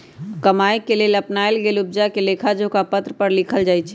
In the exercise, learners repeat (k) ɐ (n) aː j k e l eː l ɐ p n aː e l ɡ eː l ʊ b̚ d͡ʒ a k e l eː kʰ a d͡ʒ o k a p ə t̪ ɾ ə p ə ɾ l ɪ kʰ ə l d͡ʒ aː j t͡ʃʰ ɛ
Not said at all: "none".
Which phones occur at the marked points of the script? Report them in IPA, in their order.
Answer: k, m

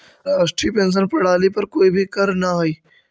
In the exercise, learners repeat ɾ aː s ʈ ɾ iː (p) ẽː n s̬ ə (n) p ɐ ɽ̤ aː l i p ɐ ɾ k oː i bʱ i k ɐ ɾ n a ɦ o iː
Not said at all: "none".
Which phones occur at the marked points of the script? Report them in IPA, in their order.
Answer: p, n

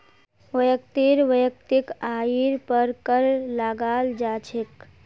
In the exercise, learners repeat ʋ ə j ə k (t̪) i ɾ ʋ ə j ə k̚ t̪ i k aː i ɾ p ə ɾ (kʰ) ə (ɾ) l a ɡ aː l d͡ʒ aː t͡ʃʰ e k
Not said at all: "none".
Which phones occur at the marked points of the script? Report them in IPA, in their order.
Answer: t̪, k, ɾ

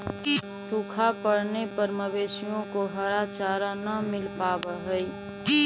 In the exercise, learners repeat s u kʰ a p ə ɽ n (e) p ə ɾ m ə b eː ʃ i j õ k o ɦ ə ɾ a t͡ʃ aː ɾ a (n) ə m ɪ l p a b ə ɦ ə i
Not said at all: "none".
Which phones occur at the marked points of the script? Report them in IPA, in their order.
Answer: e, n

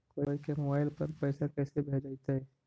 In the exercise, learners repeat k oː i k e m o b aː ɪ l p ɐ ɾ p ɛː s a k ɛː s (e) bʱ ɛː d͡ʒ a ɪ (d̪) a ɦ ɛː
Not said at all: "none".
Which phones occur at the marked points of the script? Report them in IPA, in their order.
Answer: e, t̪

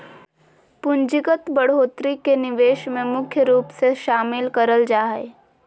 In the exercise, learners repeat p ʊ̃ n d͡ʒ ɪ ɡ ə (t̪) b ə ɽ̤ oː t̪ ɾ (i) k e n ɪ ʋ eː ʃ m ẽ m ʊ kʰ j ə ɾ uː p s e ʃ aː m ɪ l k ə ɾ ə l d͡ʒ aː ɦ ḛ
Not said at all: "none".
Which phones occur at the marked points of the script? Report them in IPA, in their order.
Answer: t̪, i

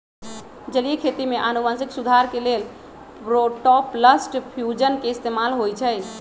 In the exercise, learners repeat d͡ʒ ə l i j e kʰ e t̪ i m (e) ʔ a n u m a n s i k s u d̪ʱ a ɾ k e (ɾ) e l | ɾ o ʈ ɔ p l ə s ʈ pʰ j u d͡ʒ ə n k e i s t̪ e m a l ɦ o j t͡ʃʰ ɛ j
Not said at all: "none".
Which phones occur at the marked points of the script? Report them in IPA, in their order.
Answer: e, l

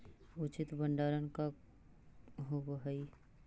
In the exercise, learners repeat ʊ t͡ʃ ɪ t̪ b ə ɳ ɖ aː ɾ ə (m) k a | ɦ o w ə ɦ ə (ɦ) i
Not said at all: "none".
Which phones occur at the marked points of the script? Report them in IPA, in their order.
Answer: n, none

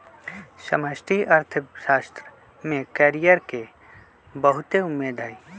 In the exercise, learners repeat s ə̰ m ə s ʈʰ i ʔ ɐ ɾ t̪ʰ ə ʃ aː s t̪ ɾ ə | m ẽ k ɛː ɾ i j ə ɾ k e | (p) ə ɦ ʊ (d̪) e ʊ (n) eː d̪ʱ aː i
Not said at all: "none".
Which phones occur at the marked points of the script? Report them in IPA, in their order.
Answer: b, t̪, m

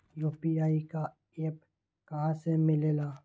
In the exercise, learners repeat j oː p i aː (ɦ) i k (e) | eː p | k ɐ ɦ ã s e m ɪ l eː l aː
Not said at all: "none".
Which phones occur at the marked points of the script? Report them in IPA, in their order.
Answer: none, a

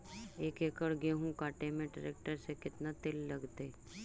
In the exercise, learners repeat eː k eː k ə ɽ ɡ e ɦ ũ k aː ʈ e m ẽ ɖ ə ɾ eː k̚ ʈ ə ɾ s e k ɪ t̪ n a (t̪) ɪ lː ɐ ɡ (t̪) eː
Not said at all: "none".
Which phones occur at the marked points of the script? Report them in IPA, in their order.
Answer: t̪, t̪

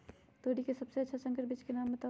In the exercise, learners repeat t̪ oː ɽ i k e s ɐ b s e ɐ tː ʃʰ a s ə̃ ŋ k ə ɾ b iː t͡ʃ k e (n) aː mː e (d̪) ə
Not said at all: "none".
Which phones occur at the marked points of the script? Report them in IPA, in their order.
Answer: n, t̪

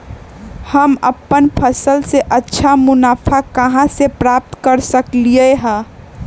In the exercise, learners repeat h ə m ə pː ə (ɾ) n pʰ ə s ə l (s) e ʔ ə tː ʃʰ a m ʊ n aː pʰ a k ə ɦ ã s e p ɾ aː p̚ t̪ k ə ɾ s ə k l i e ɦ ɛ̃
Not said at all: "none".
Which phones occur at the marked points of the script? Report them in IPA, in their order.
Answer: none, s

